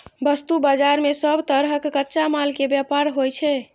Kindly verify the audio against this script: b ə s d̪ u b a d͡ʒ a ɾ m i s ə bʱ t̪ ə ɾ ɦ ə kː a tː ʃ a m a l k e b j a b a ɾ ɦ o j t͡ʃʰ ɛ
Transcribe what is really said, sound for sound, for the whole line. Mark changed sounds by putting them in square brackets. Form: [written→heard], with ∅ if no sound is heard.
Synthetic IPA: b ə s [d̪→t̪] u b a d͡ʒ a ɾ m [i→e] s ə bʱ t̪ ə ɾ ɦ ə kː [a→ə] tː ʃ a m a l k e b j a [b→p] a ɾ ɦ o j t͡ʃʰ ɛ

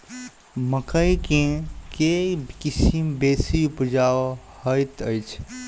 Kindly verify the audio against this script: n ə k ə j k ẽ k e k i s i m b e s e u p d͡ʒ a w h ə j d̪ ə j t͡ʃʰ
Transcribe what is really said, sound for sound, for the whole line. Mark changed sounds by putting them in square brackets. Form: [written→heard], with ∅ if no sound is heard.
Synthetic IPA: [n→m] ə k ə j k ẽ k e k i s i m b e s [e→i] u p d͡ʒ a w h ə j [d̪→t̪] ə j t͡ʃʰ

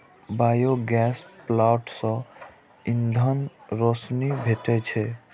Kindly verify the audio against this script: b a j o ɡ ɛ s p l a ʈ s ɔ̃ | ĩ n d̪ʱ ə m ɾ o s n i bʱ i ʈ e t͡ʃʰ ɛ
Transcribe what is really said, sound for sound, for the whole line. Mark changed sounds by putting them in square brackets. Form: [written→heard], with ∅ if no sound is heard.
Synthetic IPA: b a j o ɡ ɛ s p l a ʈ s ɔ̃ | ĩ n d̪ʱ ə [m→n] ɾ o s n i bʱ [i→e] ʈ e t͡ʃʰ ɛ

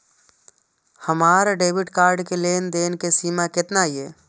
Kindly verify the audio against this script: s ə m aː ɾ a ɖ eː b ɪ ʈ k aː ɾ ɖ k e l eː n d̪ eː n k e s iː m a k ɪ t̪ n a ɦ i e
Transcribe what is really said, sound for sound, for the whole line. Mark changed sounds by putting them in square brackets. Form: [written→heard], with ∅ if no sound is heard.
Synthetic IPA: [s→h] ə m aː ɾ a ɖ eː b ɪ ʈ k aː ɾ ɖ k e l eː n d̪ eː n k e s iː m a k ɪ t̪ n a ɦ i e

